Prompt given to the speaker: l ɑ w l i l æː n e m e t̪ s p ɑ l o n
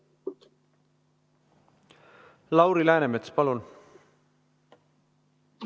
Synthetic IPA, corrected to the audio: l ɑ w ɾ i l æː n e m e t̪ s p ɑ l u n